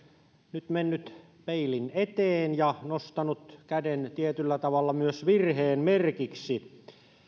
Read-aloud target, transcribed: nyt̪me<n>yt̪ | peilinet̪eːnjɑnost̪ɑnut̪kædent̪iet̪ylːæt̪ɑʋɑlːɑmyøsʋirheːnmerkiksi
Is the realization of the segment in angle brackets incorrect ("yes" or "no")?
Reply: yes